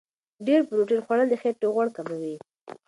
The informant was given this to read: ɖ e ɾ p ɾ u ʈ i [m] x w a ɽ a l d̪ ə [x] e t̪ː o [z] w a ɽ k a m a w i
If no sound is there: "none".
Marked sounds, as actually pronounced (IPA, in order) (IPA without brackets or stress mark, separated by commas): n, x, ɣ